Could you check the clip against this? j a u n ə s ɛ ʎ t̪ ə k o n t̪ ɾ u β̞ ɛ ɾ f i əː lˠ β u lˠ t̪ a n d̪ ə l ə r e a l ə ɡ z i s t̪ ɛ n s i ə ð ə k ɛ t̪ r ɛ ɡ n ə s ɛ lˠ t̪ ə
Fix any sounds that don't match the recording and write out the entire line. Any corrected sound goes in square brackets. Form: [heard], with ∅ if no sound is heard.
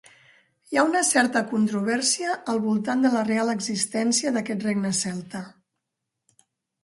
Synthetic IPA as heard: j a u n ə s ɛ [ɾ] t̪ ə k [u] n t̪ ɾ u β̞ ɛ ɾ [s] i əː lˠ β u lˠ t̪ a n d̪ ə l ə r e a l ə ɡ z i s t̪ ɛ n s i ə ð ə k ɛ t̪ r [e] ɡ n ə s ɛ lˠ t̪ ə